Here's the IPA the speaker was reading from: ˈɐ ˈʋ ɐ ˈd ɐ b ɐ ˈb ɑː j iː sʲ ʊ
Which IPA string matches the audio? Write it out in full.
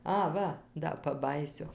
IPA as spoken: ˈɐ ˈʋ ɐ ˈd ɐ p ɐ ˈb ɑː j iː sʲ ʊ